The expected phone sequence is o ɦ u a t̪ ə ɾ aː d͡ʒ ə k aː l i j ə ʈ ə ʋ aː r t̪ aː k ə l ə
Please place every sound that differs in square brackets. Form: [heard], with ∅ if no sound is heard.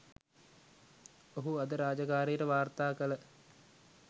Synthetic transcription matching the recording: o ɦ u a [d̪] ə ɾ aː d͡ʒ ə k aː [ɾ] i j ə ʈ ə ʋ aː r t̪ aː k ə l ə